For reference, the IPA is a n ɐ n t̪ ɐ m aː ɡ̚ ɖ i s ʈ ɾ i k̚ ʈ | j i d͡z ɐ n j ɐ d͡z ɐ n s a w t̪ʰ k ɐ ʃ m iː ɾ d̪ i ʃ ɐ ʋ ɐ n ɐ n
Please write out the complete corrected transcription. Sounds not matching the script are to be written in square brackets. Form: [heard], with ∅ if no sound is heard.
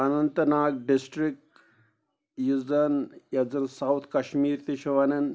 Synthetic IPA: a n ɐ n t̪ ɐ [n] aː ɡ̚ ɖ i s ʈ ɾ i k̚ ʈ | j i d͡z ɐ n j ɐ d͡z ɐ n s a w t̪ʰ k ɐ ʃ m iː ɾ [t̪] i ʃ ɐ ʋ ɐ n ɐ n